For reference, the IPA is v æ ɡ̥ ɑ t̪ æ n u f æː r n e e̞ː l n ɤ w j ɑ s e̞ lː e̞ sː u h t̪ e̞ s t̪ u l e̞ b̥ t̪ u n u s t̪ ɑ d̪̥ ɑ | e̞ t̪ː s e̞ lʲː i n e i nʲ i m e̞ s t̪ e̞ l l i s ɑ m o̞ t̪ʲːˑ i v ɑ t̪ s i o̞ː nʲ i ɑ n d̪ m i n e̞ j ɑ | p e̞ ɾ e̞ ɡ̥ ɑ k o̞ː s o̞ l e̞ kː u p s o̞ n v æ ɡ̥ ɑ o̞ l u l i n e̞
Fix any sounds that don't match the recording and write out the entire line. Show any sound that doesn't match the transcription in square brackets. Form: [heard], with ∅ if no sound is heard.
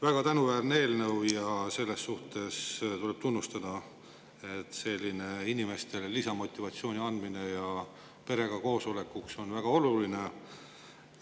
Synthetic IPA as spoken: v æ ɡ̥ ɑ t̪ æ n u [v] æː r n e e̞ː l n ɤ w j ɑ s e̞ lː e̞ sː u h t̪ e̞ s t̪ u l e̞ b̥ t̪ u [nː] u s t̪ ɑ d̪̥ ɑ | e̞ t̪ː s e̞ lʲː i n e i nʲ i m e̞ s t̪ e̞ l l i s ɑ m o̞ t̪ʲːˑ i v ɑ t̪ s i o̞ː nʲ i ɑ n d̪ m i n e̞ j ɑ | p e̞ ɾ e̞ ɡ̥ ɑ k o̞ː s o̞ l e̞ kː u [k] s o̞ n v æ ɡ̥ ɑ o̞ l u l i n e̞